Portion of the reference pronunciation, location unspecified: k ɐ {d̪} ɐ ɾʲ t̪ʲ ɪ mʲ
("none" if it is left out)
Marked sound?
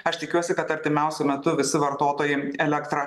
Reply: t̪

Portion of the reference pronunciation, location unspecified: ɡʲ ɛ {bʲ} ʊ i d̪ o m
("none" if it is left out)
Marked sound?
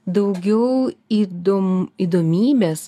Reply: none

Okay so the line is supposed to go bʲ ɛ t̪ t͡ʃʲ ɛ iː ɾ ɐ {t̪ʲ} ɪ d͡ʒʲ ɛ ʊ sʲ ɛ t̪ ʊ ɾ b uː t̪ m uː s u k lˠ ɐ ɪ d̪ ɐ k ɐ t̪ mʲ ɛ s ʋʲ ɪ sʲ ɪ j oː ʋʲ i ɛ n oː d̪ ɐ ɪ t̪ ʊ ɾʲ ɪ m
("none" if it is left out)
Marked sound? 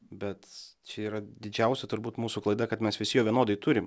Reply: d̪ʲ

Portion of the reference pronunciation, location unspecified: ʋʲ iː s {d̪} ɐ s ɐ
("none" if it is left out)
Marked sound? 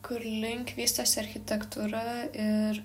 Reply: t̪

